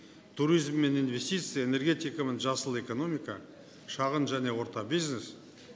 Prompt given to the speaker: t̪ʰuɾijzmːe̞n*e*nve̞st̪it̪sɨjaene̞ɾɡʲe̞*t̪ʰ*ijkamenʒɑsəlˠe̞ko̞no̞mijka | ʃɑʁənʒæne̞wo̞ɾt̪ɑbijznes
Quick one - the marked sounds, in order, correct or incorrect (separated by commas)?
incorrect, incorrect